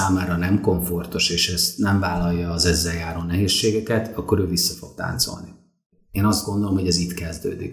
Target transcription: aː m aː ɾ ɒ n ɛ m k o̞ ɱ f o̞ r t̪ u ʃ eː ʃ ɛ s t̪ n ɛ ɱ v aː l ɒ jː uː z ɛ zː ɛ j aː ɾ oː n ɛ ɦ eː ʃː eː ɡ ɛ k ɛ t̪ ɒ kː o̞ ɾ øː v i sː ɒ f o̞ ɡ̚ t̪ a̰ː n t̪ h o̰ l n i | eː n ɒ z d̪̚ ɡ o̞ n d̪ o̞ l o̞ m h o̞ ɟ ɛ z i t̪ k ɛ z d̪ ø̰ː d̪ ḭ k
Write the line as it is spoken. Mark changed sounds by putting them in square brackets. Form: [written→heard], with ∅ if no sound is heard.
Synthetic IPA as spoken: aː m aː ɾ ɒ n ɛ m k o̞ ɱ f o̞ r t̪ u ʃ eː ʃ ɛ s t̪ n ɛ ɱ v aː l ɒ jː [uː→ɒː] z ɛ zː ɛ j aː ɾ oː n ɛ ɦ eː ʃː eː ɡ ɛ k ɛ t̪ ɒ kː o̞ ɾ øː v i sː ɒ f o̞ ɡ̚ t̪ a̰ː n t̪ [h→s] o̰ l n i | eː n ɒ z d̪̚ ɡ o̞ n d̪ o̞ l o̞ m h o̞ ɟ ɛ z i t̪ k ɛ z d̪ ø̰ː d̪ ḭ k